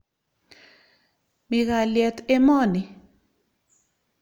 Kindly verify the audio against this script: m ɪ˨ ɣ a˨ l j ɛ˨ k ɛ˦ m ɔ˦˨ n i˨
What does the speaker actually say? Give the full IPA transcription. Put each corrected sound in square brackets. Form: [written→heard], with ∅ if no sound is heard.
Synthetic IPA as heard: m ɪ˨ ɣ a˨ l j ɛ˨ [k→t] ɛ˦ m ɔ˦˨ n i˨